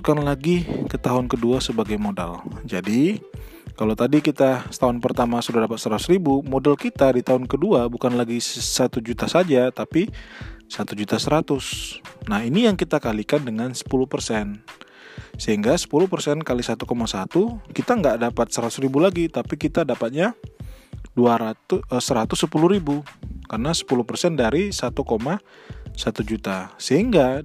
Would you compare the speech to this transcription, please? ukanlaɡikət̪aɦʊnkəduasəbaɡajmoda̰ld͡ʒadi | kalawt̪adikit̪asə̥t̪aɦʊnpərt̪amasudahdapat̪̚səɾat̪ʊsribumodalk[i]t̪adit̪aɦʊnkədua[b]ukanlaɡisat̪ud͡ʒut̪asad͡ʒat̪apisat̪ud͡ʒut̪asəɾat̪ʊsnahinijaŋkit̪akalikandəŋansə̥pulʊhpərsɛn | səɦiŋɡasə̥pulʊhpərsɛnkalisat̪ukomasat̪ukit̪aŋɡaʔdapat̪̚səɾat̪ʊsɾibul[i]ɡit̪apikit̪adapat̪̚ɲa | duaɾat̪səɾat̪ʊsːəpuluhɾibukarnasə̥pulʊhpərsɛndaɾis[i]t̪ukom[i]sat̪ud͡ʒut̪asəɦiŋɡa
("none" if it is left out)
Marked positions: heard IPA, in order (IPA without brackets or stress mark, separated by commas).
i, b, a, a, a